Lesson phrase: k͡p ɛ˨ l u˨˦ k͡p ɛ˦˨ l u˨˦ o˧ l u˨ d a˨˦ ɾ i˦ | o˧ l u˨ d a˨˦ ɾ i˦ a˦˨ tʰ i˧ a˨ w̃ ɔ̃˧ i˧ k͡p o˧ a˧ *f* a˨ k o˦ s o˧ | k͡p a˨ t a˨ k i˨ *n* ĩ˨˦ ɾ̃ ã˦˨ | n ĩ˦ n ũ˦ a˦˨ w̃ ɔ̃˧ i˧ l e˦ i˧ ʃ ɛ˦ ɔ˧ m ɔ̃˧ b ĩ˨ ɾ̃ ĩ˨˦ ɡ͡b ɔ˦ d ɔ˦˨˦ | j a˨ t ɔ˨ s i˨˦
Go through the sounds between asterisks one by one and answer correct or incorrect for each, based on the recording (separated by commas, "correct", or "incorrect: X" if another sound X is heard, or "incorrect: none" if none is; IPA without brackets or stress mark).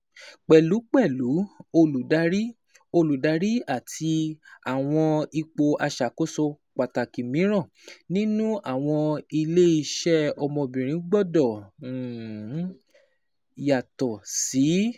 incorrect: ʃ, incorrect: m